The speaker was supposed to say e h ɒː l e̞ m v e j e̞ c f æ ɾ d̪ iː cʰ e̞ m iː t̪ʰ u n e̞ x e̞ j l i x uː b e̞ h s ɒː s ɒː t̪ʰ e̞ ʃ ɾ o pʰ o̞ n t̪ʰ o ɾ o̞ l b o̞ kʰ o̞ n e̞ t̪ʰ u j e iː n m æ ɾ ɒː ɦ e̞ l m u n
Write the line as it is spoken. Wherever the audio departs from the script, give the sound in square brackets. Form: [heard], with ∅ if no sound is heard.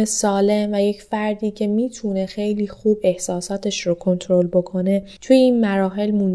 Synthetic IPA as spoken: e [s] ɒː l e̞ m v [æ] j e̞ c f æ ɾ d̪ iː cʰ e̞ m iː t̪ʰ u n e̞ x e̞ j l [iː] x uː b e̞ h s ɒː s ɒː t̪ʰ e̞ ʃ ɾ o [kʰ] o̞ n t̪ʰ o ɾ o̞ l b o̞ kʰ o̞ n e̞ t̪ʰ u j e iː n m æ ɾ ɒː ɦ e̞ l m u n